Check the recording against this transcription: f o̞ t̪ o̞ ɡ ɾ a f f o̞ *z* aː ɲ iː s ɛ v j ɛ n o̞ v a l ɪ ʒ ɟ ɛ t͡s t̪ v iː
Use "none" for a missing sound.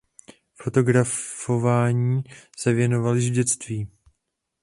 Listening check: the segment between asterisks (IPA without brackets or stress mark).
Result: v